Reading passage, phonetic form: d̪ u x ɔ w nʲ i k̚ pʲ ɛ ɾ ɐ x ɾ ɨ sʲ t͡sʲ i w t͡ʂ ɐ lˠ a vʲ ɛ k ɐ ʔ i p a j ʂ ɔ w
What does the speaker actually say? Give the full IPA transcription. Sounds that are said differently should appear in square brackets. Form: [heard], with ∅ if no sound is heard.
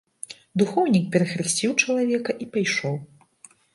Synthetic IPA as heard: d̪ u x ɔ w nʲ i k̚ pʲ ɛ ɾ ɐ x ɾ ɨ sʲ t͡sʲ i w t͡ʂ ɐ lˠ a vʲ ɛ k ɐ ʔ i p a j ʂ ɔ w